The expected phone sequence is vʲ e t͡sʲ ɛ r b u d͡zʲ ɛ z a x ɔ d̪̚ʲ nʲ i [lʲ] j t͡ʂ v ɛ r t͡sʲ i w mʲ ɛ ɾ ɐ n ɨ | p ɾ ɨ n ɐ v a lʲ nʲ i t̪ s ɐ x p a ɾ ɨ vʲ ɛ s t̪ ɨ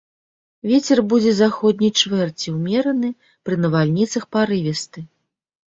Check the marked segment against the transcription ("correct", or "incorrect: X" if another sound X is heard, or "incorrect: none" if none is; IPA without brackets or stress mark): incorrect: none